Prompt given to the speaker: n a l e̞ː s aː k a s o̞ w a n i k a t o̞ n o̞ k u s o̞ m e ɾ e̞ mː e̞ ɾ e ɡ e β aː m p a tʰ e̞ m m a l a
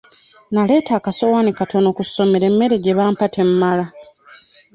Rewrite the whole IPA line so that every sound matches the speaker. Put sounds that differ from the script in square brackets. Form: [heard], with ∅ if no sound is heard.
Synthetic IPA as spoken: n a l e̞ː [t] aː k a s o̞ w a n i k a t o̞ n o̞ k u s o̞ m e ɾ e̞ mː e̞ ɾ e ɡ e β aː m p a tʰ e̞ m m a l a